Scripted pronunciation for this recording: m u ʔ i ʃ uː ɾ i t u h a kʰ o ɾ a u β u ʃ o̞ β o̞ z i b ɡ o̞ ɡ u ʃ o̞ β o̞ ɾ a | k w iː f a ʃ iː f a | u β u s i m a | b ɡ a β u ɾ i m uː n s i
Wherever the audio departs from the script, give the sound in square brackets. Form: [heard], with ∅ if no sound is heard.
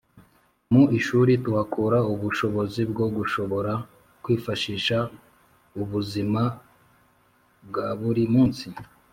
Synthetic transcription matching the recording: m u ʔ i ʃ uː ɾ i t u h a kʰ [u] ɾ a u β u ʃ o̞ β o̞ z i b ɡ o̞ ɡ u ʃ o̞ β o̞ ɾ a | k w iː f a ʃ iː [ʃ] a | u β u [z] i m a | b ɡ a β u ɾ i m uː n s i